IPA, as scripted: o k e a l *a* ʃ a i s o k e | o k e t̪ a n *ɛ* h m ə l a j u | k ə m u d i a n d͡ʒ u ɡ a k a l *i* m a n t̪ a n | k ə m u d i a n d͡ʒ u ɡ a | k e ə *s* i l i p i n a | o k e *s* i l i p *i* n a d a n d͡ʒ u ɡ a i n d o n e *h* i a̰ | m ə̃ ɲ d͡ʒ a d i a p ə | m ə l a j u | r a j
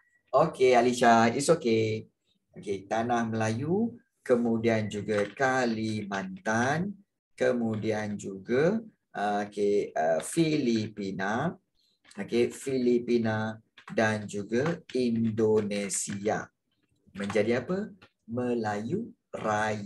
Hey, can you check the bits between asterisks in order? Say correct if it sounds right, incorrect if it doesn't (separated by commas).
incorrect, incorrect, correct, incorrect, incorrect, correct, incorrect